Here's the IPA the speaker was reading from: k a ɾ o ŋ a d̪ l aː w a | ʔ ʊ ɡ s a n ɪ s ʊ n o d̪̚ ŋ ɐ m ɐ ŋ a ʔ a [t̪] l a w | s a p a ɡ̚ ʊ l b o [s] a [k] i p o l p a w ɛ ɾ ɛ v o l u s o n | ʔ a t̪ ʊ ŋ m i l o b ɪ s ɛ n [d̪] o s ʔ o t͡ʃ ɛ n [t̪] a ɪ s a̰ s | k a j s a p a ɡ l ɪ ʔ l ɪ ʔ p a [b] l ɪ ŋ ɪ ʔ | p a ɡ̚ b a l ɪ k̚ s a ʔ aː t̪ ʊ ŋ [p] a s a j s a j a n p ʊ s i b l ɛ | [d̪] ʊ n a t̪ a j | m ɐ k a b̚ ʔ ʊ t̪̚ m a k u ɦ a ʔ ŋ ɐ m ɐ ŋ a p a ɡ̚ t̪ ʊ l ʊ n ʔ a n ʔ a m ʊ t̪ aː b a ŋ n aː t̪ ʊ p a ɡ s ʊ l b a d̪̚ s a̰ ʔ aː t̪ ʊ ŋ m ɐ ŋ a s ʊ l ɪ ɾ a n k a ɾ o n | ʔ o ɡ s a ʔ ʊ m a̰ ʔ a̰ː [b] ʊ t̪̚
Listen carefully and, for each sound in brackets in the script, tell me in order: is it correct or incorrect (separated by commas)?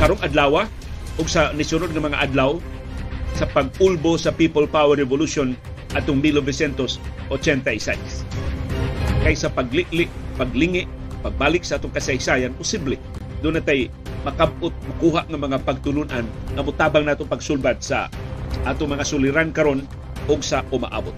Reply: incorrect, correct, incorrect, incorrect, correct, incorrect, incorrect, correct, correct